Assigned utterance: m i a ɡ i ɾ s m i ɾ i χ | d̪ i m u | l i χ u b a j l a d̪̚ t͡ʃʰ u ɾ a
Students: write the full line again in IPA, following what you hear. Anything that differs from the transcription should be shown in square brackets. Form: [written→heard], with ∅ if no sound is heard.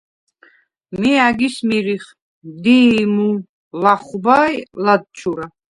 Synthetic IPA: m i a ɡ i [ɾ→∅] s m i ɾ i χ | d̪ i m u | l [i→a] χ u b a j l a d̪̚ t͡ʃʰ u ɾ a

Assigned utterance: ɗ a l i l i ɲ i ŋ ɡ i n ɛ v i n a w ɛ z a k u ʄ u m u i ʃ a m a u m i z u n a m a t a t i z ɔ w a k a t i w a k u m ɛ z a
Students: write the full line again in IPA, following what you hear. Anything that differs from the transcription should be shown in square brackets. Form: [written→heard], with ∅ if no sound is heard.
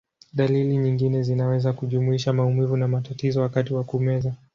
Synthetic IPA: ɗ a l i l i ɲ i ŋ ɡ i n ɛ [v→z] i n a w ɛ z a k u ʄ u m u i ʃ a m a u m i [z→v] u n a m a t a t i z ɔ w a k a t i w a k u m ɛ z a

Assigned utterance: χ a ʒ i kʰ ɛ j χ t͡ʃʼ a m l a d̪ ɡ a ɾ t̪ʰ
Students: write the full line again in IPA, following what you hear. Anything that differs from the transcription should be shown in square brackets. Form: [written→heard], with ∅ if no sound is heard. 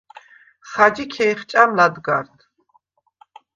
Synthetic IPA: χ a [ʒ→d͡ʒ] i kʰ ɛ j χ t͡ʃʼ a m l a d̪ ɡ a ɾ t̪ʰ

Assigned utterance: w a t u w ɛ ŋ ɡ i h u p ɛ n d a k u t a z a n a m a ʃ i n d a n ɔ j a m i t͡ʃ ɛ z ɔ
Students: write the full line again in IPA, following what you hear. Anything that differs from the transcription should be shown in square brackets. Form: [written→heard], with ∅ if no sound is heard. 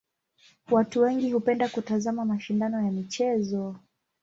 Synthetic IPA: w a t u w ɛ ŋ ɡ i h u p ɛ n d a k u t a z a [n→m] a m a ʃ i n d a n ɔ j a m i t͡ʃ ɛ z ɔ

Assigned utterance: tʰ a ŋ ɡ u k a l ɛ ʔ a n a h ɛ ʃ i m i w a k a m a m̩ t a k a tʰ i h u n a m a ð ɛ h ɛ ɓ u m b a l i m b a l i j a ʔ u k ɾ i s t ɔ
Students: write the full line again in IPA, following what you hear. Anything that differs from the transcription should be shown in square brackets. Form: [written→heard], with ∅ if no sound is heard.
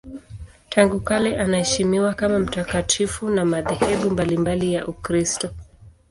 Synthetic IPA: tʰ a ŋ ɡ u k a l ɛ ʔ a n a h ɛ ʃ i m i w a k a m a m̩ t a k a tʰ i [h→f] u n a m a ð ɛ h ɛ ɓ u m b a l i m b a l i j a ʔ u k ɾ i s t ɔ

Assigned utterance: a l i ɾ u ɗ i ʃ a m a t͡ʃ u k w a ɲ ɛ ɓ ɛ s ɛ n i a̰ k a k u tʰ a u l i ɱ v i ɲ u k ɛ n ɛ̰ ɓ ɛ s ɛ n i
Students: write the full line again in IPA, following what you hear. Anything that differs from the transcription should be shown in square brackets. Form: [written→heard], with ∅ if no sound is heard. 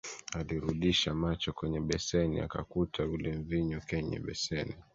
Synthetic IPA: a l i ɾ u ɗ i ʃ a m a t͡ʃ [u→ɔ] k w [a→ɛ] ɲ ɛ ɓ ɛ s ɛ n i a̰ k a k u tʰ a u l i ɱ v i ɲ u k ɛ [n→ɲ] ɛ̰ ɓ ɛ s ɛ n i

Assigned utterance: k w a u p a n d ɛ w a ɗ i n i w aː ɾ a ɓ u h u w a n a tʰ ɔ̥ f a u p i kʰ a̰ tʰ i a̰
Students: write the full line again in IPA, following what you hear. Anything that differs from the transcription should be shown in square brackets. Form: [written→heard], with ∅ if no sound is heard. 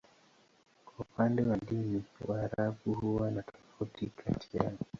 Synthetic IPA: k w a u p a n d ɛ w a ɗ i n i w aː ɾ a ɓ u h u w a n a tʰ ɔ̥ f a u [p→t] i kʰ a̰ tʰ i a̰

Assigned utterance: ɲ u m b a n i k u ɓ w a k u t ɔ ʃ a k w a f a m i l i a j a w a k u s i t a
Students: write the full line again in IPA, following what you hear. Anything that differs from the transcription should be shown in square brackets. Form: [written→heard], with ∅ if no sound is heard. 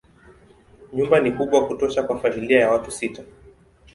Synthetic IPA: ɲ u m b a n i k u ɓ w a k u t ɔ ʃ a k w a f a m i l i a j a w a [k→t] u s i t a

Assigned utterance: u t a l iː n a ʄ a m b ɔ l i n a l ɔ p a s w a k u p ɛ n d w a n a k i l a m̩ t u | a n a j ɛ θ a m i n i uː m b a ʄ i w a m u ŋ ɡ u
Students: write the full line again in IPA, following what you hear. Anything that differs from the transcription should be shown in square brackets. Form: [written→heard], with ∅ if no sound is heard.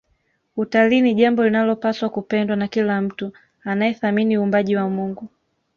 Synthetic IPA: u t a l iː n [a→i] ʄ a m b ɔ l i n a l ɔ p a s w a k u p ɛ n d w a n a k i l a m̩ t u | a n a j ɛ θ a m i n i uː m b a ʄ i w a m u ŋ ɡ u

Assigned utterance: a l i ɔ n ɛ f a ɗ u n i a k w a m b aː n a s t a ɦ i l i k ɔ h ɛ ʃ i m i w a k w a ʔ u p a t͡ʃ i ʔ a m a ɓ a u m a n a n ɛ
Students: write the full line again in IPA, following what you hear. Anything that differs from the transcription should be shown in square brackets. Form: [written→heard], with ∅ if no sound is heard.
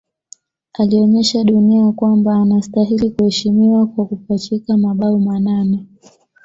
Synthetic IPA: a l i ɔ [n→ɲ] ɛ [f→ʃ] a ɗ u n i a k w a m b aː n a s t a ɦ i l i k [ɔ→u] h ɛ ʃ i m i w a k w a [ʔ→k] u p a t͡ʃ i [ʔ→k] a m a ɓ a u m a n a n ɛ

